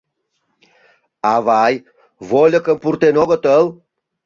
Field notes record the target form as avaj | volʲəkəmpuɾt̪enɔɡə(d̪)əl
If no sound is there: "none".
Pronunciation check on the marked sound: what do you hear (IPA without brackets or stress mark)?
t̪